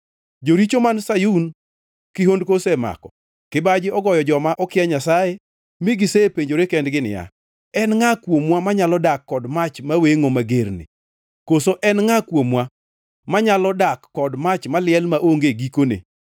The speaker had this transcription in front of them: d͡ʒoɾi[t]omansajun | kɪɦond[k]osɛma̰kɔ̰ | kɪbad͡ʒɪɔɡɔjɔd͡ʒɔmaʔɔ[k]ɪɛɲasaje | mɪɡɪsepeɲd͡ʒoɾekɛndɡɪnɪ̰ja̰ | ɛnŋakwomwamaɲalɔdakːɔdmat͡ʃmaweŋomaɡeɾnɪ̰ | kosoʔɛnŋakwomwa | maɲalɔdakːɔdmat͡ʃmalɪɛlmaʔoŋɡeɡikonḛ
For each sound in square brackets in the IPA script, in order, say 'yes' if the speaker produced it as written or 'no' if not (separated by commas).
no, yes, yes